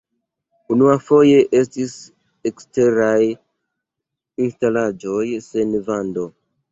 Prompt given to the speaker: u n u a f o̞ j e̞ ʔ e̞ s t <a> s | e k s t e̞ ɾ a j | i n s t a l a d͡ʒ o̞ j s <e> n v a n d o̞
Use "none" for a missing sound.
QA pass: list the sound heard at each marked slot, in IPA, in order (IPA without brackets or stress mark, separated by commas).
i, e